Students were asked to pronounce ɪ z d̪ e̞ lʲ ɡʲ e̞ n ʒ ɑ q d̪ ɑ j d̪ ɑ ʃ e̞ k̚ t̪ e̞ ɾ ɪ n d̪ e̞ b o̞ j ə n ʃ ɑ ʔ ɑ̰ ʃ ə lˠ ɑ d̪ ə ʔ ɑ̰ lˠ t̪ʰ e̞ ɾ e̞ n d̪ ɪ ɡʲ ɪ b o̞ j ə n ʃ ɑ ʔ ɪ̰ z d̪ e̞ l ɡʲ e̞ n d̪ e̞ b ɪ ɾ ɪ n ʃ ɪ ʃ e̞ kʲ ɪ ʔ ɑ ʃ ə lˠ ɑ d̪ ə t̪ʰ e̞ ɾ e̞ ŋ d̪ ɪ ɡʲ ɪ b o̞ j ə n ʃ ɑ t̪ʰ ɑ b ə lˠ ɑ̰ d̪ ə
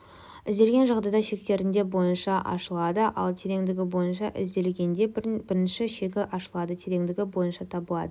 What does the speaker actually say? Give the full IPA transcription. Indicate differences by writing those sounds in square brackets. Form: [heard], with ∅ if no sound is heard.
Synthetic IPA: ɪ z d̪ e̞ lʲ ɡʲ e̞ n ʒ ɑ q d̪ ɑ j d̪ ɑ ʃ e̞ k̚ t̪ e̞ ɾ ɪ n d̪ e̞ b o̞ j ə n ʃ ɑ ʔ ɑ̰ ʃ ə lˠ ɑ d̪ ə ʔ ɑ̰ lˠ t̪ʰ e̞ ɾ e̞ [ŋ] d̪ ɪ ɡʲ ɪ b o̞ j ə n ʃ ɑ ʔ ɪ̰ z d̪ e̞ l ɡʲ e̞ n d̪ e̞ b ɪ ɾ ɪ n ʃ ɪ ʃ e̞ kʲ ɪ ʔ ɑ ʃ ə lˠ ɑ d̪ ə t̪ʰ e̞ ɾ e̞ ŋ d̪ ɪ ɡʲ ɪ b o̞ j ə n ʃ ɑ t̪ʰ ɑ b ə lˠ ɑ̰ d̪ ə

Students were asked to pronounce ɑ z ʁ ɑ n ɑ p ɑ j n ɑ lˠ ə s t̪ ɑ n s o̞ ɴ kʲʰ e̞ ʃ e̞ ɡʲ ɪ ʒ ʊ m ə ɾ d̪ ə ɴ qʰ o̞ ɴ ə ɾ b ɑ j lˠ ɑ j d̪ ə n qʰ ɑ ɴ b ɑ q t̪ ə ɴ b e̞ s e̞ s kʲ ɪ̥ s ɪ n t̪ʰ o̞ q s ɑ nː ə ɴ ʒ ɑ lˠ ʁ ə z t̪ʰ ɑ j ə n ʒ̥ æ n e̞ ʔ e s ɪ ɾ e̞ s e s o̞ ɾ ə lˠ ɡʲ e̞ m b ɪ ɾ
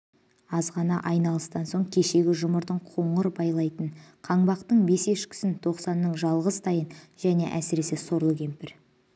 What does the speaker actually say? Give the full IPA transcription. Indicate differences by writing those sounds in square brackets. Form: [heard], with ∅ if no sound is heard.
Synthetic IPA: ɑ z ʁ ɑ n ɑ [ʔ] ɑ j n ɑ lˠ ə s t̪ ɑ n s o̞ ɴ kʲʰ e̞ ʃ e̞ ɡʲ ɪ ʒ ʊ m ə ɾ d̪ ə ɴ qʰ o̞ ɴ ə ɾ b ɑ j lˠ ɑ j [t̪] ə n qʰ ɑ ɴ b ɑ q t̪ ə ɴ b e̞ s e̞ [ʃ] kʲ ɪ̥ s ɪ n t̪ʰ o̞ q s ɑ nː ə ɴ ʒ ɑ lˠ ʁ ə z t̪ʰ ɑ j ə n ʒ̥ æ n e̞ ʔ [æ] s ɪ ɾ e̞ s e s o̞ ɾ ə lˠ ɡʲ e̞ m [p] ɪ ɾ

